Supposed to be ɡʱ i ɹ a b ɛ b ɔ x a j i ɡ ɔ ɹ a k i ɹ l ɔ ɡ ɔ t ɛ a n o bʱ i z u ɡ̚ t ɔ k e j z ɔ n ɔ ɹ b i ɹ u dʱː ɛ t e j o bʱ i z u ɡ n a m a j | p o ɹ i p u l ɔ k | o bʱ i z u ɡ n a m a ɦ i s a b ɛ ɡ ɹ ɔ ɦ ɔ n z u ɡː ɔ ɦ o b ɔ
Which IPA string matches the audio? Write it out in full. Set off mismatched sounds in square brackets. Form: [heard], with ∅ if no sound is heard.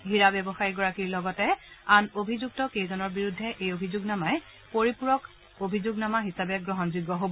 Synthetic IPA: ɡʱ i ɹ a b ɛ b ɔ x a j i ɡ ɔ ɹ a k i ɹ l ɔ ɡ ɔ t ɛ a n o bʱ i z u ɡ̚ t ɔ k e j z ɔ n ɔ ɹ b i ɹ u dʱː ɛ [ʔ] e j o bʱ i z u ɡ n a m a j | p o ɹ i p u [ɹ] ɔ k | o bʱ i z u ɡ n a m a ɦ i s a b ɛ ɡ ɹ ɔ ɦ ɔ n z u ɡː ɔ ɦ o b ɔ